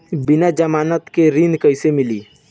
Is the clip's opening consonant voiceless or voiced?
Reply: voiced